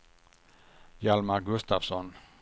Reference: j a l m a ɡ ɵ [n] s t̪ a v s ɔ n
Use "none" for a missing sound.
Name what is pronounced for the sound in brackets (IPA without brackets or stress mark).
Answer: none